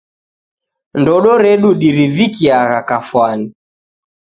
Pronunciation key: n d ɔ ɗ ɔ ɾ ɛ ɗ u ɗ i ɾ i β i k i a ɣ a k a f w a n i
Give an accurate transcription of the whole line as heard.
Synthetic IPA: n d ɔ ɗ ɔ ɾ ɛ ɗ u ɗ i ɾ i v i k i a ɣ a k a f w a n i